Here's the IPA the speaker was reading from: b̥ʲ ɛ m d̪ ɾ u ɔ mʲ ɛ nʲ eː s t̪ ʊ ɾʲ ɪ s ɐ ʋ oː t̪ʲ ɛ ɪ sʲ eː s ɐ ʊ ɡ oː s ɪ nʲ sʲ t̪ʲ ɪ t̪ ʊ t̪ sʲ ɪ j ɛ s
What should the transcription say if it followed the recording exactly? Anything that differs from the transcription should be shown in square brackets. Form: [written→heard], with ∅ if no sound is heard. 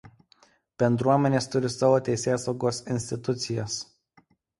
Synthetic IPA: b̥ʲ ɛ [m→n] d̪ ɾ u ɔ mʲ ɛ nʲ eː s t̪ ʊ ɾʲ ɪ s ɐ ʋ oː t̪ʲ ɛ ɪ sʲ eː s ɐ ʊ ɡ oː s ɪ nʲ sʲ t̪ʲ ɪ t̪ ʊ t̪ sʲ ɪ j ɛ s

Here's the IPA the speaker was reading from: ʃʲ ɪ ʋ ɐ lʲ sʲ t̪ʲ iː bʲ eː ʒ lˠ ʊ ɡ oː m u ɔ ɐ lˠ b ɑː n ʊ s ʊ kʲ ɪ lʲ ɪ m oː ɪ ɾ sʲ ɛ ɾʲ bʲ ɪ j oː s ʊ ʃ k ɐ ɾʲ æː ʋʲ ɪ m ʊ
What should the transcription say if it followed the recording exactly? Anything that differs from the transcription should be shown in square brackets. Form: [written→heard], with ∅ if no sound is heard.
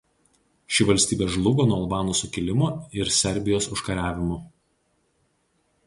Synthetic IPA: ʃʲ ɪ ʋ ɐ lʲ sʲ t̪ʲ iː bʲ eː ʒ lˠ ʊ ɡ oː [m→n] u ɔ ɐ lˠ b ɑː n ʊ s ʊ kʲ ɪ lʲ ɪ m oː ɪ ɾ sʲ ɛ ɾʲ bʲ ɪ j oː s ʊ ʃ k ɐ ɾʲ æː ʋʲ ɪ m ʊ

